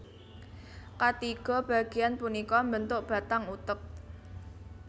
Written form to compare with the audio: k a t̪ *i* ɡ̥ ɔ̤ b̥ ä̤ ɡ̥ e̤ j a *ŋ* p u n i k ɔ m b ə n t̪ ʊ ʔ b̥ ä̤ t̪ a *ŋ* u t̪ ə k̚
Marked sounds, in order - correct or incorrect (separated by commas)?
correct, incorrect, correct